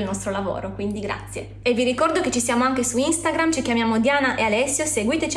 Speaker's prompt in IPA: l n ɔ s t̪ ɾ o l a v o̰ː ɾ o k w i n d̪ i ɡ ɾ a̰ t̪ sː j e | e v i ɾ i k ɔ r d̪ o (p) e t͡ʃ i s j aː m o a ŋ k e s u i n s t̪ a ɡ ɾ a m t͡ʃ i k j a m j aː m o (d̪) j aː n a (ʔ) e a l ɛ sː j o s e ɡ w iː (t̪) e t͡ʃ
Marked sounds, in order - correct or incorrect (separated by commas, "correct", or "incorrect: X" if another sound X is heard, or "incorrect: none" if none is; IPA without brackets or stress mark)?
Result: incorrect: k, correct, correct, correct